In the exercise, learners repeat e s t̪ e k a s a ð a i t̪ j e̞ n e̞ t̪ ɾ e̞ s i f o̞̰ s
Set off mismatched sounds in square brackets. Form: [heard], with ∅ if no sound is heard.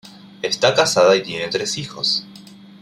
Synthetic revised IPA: e s t̪ [a] k a s a ð a i t̪ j e̞ n e̞ t̪ ɾ e̞ s i [x] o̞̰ s